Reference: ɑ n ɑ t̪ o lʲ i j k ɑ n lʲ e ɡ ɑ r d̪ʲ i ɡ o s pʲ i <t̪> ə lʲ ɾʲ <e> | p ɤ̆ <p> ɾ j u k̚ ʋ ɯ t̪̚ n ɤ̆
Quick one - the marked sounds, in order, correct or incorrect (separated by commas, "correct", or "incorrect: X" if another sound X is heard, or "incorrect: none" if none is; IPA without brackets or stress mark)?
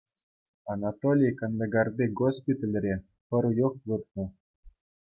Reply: correct, correct, incorrect: none